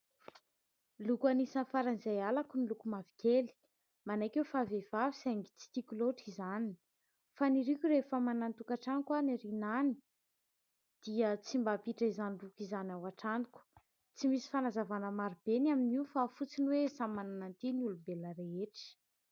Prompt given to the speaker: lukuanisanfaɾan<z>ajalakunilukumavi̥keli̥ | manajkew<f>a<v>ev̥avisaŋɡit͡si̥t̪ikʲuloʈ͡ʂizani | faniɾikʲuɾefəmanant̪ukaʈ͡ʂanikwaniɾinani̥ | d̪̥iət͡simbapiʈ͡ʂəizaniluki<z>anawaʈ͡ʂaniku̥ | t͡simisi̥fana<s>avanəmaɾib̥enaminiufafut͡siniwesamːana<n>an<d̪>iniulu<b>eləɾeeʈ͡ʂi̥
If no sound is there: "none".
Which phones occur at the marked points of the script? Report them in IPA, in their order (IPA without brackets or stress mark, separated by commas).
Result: z, f, v, z, z, n, t̪, b